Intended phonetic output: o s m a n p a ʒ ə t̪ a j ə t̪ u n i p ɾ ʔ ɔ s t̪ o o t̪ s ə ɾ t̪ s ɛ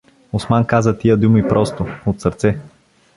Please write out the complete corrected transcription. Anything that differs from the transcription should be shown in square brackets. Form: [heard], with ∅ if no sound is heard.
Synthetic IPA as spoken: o s m a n [k] a [z] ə t̪ [i] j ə [d̪] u [m] i p ɾ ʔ ɔ s t̪ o o t̪ s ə ɾ t̪ s ɛ

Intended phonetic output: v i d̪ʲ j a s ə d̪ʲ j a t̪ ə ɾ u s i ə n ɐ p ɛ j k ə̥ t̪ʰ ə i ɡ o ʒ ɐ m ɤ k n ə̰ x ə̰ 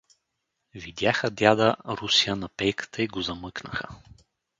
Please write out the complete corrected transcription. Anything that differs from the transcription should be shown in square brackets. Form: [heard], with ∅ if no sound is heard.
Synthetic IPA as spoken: v i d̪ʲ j a [x] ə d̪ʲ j a [d̪] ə ɾ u s i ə n ɐ p ɛ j k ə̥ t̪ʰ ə i ɡ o [z] ɐ m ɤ k n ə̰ x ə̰

